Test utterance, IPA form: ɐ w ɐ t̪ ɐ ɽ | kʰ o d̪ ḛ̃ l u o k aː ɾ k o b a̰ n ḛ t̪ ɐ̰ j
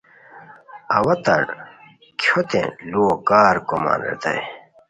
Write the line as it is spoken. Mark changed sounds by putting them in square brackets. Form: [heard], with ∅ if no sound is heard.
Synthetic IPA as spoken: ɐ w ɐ t̪ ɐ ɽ | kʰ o [t̪] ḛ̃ l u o k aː ɾ k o [m] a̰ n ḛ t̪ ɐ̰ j